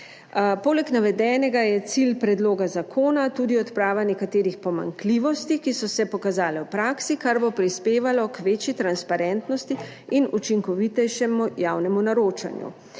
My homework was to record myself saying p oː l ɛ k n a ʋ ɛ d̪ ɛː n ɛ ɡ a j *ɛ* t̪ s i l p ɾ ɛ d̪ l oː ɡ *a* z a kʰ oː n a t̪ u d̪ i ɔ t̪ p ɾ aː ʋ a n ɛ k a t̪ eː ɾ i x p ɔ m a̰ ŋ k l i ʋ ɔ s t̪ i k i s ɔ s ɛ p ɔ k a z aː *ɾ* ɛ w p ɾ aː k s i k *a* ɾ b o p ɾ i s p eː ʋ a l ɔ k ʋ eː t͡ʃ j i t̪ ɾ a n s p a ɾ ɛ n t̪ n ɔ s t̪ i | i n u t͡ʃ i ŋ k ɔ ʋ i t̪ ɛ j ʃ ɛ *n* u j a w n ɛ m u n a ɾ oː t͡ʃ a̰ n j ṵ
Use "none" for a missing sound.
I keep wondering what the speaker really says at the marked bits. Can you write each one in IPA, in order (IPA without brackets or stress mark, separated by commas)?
ɛ, a, l, a, m